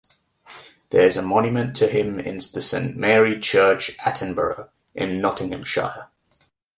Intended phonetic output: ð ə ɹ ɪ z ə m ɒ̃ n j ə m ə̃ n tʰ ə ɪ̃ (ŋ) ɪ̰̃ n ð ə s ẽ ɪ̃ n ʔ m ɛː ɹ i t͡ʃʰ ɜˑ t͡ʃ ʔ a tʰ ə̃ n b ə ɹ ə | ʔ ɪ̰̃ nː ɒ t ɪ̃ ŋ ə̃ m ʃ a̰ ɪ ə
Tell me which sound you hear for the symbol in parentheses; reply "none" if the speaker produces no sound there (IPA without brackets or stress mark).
m